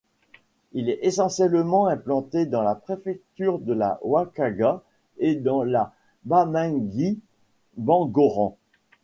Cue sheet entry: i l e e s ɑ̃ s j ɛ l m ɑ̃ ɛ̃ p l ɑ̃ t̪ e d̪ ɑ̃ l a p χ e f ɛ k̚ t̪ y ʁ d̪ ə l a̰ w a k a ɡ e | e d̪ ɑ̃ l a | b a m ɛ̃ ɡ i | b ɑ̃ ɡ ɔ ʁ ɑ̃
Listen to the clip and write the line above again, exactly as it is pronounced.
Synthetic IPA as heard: i l ɛ e s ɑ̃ s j ɛ l m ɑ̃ ɛ̃ p l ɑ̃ t̪ e d̪ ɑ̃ l a p χ e f ɛ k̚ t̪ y ʁ d̪ ə l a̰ w a k a ɡ a | e d̪ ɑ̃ l a | b a m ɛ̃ ɡ i | b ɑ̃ ɡ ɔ ʁ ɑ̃